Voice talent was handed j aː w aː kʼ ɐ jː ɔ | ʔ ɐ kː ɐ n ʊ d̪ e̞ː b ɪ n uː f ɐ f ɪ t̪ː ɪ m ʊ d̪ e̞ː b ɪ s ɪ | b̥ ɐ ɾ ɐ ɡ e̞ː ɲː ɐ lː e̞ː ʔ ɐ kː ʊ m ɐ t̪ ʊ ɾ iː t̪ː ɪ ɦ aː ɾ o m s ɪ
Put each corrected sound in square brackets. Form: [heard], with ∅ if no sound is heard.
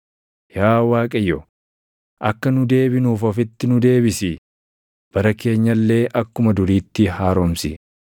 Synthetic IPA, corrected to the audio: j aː w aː kʼ ɐ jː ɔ | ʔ ɐ kː ɐ n ʊ d̪ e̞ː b ɪ n uː f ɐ f ɪ t̪ː ɪ [n] ʊ d̪ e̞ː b ɪ s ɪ | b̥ ɐ ɾ ɐ [k] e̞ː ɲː ɐ lː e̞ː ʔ ɐ kː ʊ m ɐ [d̪] ʊ ɾ iː t̪ː ɪ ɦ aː ɾ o m s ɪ